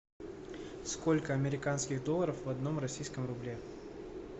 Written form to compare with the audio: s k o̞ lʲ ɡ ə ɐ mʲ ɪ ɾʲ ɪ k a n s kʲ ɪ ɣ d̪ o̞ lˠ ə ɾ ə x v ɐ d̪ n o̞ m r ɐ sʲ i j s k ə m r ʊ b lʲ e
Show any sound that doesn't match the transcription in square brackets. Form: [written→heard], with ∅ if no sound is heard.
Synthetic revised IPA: s k o̞ lʲ [ɡ→k] ə ɐ mʲ ɪ ɾʲ ɪ k a n s kʲ ɪ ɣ d̪ o̞ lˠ ə ɾ ə [x→f] v ɐ d̪ n o̞ m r ɐ sʲ i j s k ə m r ʊ b lʲ e